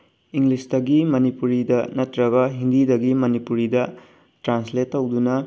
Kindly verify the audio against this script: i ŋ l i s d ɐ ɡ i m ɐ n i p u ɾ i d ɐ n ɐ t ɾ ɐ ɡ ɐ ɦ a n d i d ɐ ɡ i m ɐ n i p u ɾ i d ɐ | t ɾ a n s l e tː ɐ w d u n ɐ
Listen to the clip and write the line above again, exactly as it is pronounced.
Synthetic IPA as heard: i ŋ l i s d ɐ ɡ i m ɐ n i p u ɾ i d ɐ n ɐ t ɾ ɐ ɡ ɐ ɦ i n d i d ɐ ɡ i m ɐ n i p u ɾ i d ɐ | t ɾ a n s l e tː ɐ w d u n ɐ